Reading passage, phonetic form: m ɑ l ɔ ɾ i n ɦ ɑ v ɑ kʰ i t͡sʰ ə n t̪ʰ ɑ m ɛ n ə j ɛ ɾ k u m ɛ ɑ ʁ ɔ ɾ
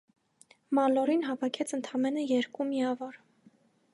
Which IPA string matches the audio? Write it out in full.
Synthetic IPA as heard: m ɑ l ɔ ɾ i n ɦ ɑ v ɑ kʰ ɛ t͡sʰ ə n t̪ʰ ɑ m ɛ n ə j ɛ ɾ k u m i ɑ v ɔ ɾ